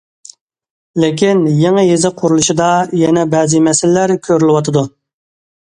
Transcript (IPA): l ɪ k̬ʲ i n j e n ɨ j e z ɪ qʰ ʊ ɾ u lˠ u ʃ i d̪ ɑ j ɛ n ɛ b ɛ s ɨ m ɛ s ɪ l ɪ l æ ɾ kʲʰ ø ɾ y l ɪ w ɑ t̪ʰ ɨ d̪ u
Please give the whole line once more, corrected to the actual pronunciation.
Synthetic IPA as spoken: l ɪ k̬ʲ i n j e ŋ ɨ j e z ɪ qʰ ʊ ɾ u lˠ u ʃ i d̪ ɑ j ɛ n ɛ b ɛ z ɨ m ɛ s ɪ l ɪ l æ ɾ kʲʰ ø ɾ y l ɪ w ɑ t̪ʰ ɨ d̪ u